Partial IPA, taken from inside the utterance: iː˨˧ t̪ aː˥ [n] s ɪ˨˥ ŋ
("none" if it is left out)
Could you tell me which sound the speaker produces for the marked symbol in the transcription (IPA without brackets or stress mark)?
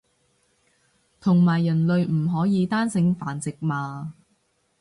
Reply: n